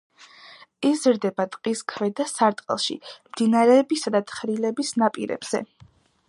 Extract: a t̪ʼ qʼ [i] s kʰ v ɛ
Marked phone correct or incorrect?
correct